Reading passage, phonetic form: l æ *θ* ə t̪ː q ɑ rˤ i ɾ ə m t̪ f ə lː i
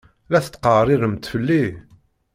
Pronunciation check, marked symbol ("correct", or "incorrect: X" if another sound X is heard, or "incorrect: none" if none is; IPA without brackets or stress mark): correct